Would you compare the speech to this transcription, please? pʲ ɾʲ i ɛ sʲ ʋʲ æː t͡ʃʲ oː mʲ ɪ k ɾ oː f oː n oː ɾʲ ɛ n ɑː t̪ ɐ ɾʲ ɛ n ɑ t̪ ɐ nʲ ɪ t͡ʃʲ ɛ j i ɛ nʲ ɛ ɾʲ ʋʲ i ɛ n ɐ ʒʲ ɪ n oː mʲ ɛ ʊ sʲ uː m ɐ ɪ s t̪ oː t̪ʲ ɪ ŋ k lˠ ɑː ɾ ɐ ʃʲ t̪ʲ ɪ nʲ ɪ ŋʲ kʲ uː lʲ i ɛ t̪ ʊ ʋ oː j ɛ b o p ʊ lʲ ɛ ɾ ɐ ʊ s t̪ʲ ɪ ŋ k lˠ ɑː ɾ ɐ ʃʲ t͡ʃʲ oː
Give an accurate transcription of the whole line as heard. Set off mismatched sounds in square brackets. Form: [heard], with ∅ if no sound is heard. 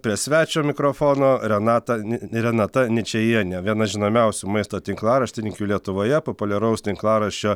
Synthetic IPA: pʲ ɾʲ i ɛ sʲ ʋʲ æː t͡ʃʲ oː mʲ ɪ k ɾ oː f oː n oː ɾʲ ɛ n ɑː t̪ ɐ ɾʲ ɛ n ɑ t̪ ɐ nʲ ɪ t͡ʃʲ ɛ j i ɛ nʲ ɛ [∅] ʋʲ i ɛ n ɐ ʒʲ ɪ n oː mʲ ɛ ʊ sʲ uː m ɐ ɪ s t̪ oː t̪ʲ ɪ ŋ k lˠ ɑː ɾ ɐ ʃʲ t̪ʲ ɪ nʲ ɪ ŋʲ kʲ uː lʲ i ɛ t̪ ʊ ʋ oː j ɛ [p] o p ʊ lʲ ɛ ɾ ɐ ʊ s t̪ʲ ɪ ŋ k lˠ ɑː ɾ ɐ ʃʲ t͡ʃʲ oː

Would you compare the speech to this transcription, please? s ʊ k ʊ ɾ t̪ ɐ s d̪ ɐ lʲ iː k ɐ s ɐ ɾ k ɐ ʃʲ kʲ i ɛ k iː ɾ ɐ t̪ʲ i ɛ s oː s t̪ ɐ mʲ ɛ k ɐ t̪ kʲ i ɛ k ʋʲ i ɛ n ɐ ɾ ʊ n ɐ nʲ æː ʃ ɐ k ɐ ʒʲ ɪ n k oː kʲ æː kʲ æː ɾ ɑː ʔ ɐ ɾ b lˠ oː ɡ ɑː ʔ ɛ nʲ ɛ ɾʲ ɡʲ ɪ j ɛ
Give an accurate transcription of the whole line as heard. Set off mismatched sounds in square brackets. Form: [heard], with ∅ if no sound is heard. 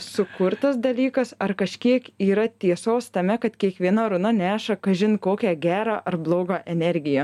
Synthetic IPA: s ʊ k ʊ ɾ t̪ ɐ s d̪ ɐ lʲ iː k ɐ s ɐ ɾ k ɐ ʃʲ kʲ i ɛ k iː ɾ ɐ t̪ʲ i ɛ s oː s t̪ ɐ mʲ ɛ k ɐ t̪ kʲ i ɛ k ʋʲ i ɛ n ɐ ɾ ʊ n ɐ nʲ æː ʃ ɐ k ɐ ʒʲ ɪ n k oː kʲ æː [ɡʲ] æː ɾ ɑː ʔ ɐ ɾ b lˠ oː ɡ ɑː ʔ ɛ nʲ ɛ ɾʲ ɡʲ ɪ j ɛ

